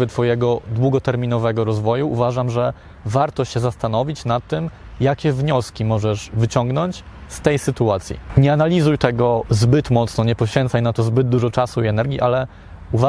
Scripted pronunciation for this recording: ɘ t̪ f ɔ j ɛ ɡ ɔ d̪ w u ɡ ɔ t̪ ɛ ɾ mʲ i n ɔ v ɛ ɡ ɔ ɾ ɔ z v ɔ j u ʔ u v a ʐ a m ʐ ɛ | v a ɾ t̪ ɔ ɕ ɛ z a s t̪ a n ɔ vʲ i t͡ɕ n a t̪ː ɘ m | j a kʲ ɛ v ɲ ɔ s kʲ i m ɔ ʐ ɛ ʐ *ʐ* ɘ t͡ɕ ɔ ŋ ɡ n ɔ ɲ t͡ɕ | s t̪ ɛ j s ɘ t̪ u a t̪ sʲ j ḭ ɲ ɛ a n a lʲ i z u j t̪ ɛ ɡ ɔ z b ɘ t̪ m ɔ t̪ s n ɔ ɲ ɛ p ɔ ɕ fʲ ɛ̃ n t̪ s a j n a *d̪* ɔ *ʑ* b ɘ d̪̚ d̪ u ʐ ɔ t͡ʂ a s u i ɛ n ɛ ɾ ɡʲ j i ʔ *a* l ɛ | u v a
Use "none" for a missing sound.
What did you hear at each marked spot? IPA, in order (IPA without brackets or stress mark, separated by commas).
v, t̪, z, a